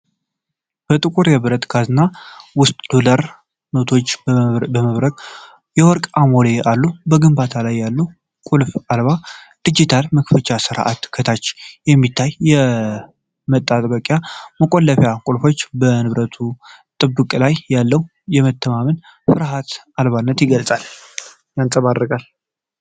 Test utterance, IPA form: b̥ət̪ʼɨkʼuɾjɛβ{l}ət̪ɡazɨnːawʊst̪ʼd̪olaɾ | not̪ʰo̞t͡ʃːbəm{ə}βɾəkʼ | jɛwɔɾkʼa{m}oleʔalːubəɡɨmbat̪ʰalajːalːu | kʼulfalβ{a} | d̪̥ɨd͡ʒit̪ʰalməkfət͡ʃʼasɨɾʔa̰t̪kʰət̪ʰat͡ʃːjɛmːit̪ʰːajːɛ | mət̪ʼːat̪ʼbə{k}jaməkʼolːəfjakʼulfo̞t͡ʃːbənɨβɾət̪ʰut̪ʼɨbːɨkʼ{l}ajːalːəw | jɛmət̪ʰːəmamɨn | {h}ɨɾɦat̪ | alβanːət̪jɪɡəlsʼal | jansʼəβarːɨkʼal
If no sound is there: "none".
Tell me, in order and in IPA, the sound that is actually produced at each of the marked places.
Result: ɾ, ə, m, a, kʼ, l, f

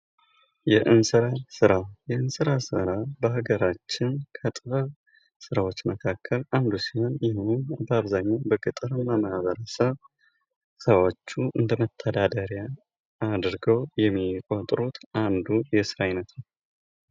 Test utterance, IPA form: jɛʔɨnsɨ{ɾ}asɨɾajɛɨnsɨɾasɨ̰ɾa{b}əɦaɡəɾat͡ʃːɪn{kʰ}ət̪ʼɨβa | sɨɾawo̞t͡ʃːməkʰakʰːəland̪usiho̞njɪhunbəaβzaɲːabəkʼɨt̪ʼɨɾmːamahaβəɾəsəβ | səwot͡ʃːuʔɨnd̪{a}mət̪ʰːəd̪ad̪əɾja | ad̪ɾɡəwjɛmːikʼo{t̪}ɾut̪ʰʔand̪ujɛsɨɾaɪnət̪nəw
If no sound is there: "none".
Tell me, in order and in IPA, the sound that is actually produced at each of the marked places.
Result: ɾ, b, kʰ, ə, t̪ʼ

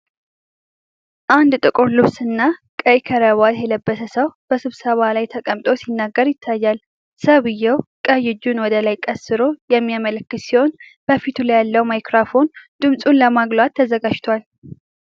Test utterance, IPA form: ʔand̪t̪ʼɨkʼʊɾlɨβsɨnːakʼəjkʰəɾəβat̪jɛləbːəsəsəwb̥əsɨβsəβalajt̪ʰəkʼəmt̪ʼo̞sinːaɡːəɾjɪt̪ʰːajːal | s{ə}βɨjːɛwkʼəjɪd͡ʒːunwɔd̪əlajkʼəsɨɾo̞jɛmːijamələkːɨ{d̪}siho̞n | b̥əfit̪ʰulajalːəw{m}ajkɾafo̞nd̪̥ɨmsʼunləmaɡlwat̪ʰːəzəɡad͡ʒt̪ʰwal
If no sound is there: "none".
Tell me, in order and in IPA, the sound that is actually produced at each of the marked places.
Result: ə, t̪, m

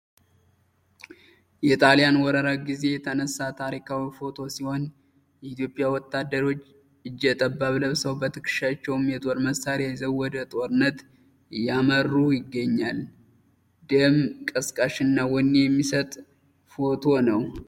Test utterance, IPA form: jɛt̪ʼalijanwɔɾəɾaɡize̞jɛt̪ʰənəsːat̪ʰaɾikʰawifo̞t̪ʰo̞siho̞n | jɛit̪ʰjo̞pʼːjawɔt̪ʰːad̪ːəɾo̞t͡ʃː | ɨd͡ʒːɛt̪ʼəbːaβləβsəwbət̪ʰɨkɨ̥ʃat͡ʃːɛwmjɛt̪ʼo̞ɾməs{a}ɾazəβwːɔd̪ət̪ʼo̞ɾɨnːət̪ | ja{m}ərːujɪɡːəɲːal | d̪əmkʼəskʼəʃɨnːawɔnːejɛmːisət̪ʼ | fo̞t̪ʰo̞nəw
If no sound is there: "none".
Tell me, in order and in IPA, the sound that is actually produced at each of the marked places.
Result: a, m

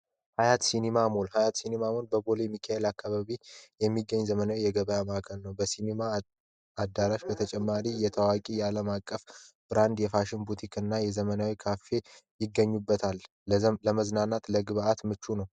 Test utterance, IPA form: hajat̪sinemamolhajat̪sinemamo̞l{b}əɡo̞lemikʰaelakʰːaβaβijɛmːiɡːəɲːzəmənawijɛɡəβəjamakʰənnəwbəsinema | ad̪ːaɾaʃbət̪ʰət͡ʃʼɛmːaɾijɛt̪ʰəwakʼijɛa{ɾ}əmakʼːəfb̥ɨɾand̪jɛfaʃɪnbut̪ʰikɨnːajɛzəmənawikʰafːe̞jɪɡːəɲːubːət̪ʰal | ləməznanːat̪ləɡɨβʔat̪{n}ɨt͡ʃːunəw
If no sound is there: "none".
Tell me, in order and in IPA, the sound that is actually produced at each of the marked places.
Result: b, l, m

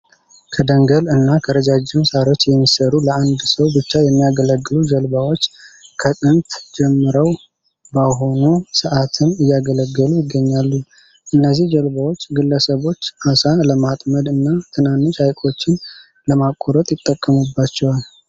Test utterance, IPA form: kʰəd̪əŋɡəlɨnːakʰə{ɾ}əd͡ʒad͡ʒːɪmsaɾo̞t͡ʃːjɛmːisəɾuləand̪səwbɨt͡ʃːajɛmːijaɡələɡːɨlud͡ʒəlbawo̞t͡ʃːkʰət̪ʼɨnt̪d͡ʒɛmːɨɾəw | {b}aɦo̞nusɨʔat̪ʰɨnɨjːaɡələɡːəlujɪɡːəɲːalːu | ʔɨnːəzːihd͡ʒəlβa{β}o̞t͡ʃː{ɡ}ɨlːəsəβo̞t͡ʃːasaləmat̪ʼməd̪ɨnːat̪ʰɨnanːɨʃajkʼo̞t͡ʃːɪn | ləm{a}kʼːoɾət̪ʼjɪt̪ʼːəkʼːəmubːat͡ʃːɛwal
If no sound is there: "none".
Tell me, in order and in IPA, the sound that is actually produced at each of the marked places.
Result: ɾ, b, w, ɡ, a

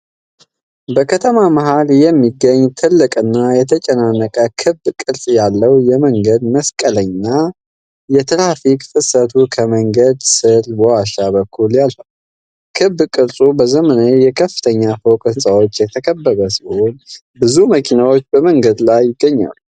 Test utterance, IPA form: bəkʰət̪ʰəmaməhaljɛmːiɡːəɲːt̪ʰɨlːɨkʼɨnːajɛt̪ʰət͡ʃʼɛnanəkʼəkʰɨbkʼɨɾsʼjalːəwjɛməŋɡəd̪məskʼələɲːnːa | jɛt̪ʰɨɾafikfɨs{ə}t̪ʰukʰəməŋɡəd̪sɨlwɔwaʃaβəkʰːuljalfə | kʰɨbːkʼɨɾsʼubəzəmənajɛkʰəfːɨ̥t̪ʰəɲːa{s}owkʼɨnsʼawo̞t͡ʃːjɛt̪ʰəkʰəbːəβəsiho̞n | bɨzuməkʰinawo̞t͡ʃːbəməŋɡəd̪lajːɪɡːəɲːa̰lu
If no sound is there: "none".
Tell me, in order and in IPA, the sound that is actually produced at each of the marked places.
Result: ə, f

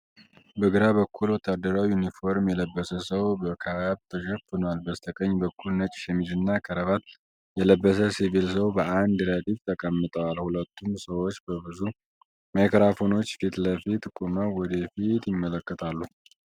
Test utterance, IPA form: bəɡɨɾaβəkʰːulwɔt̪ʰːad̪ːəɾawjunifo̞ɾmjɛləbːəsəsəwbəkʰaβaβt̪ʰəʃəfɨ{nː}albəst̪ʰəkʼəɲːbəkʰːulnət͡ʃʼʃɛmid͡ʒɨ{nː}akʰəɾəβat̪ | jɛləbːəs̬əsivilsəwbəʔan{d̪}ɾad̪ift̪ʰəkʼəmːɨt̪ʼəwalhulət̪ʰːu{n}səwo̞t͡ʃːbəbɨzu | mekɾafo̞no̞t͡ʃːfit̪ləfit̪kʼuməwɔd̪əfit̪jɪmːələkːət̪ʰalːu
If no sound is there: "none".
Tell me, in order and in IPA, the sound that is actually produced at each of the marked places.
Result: n, nː, d̪, m

